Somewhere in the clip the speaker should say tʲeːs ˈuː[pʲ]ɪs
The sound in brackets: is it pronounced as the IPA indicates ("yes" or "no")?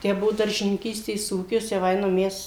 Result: no